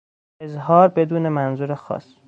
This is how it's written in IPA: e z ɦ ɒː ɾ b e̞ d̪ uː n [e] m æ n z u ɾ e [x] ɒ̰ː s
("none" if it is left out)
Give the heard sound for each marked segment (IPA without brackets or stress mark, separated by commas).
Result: e, x